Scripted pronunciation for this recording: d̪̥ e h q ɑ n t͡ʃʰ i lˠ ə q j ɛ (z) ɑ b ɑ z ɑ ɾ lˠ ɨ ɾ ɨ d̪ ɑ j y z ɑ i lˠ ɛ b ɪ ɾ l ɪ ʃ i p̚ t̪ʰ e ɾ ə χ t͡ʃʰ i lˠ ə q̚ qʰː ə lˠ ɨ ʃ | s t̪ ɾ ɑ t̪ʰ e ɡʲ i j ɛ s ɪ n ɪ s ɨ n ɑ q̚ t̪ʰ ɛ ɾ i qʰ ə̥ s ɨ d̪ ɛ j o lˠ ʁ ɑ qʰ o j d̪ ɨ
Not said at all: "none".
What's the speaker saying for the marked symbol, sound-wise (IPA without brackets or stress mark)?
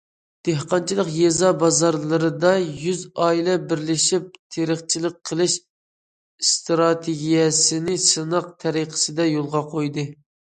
z